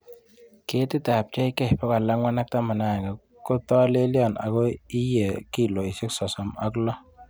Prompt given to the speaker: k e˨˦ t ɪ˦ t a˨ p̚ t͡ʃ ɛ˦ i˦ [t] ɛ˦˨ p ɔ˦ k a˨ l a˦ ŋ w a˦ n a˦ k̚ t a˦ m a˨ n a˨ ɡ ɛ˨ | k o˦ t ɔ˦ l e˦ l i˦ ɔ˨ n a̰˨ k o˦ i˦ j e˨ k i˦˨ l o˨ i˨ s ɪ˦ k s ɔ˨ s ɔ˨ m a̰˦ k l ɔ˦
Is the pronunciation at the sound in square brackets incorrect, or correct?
incorrect